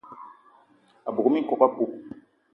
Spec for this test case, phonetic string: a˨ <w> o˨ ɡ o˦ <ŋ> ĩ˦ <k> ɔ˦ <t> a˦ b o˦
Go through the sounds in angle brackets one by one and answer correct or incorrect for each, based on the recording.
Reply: incorrect: b, incorrect: m, correct, incorrect: k

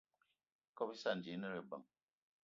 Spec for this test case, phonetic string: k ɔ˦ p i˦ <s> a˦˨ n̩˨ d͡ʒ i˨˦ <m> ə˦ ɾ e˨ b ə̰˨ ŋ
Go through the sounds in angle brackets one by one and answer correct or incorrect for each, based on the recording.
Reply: correct, incorrect: n

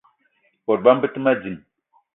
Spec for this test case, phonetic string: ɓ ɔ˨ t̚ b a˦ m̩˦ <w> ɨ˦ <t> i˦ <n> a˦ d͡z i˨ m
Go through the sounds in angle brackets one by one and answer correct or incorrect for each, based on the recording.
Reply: incorrect: b, correct, incorrect: m

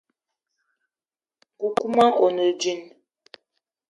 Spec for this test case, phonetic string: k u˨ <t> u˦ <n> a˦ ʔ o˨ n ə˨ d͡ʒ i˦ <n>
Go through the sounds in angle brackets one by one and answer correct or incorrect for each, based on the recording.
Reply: incorrect: k, incorrect: m, correct

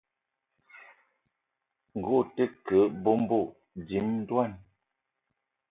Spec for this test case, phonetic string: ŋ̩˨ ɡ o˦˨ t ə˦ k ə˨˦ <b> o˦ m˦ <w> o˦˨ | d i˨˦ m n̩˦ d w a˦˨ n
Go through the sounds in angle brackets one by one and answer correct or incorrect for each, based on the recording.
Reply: correct, incorrect: b

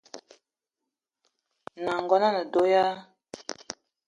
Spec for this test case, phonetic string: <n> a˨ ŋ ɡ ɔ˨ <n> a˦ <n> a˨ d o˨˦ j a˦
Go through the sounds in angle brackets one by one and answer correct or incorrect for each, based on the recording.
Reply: correct, correct, correct

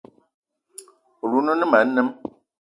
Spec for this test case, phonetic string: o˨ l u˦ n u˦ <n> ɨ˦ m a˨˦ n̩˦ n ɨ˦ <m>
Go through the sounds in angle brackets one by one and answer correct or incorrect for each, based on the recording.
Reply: correct, correct

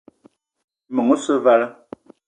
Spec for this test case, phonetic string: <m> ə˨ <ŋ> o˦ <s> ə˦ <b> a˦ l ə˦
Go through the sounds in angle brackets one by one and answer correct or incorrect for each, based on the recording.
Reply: correct, correct, correct, incorrect: v

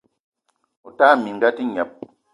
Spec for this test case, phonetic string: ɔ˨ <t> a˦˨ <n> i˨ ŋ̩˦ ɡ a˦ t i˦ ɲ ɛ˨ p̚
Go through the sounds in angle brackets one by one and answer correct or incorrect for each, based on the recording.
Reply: correct, incorrect: m

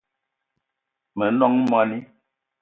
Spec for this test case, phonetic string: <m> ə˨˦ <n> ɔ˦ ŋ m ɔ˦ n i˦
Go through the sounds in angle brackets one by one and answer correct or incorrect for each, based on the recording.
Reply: correct, correct

